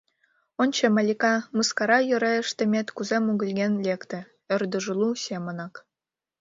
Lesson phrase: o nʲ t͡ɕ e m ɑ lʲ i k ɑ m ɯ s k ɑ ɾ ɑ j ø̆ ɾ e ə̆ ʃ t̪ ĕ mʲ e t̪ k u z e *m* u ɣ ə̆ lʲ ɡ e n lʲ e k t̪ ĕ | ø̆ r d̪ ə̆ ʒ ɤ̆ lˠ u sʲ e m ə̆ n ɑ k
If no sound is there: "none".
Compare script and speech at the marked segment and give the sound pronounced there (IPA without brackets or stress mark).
m